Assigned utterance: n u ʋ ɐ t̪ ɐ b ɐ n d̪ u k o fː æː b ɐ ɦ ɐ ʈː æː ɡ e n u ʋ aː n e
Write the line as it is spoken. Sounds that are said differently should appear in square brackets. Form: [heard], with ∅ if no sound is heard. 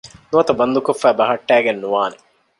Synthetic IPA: n u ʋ ɐ t̪ ɐ b ɐ n d̪ u k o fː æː b ɐ ɦ ɐ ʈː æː ɡ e [nː] u ʋ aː n e